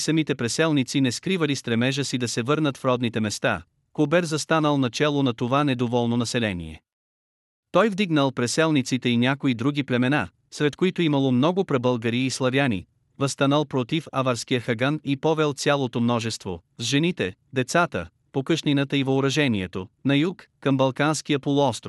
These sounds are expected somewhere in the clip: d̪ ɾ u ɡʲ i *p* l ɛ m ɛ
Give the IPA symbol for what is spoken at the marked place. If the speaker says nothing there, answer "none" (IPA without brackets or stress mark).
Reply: p